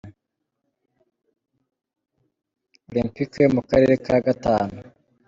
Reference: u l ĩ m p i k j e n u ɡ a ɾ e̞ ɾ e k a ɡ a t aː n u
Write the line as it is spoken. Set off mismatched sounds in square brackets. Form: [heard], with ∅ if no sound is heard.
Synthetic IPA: [o] l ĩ m p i k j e [m] u [k] a ɾ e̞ ɾ e k a ɡ a t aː n u